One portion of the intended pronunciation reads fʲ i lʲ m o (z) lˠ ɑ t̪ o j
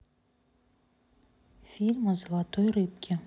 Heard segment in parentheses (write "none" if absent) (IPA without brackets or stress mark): z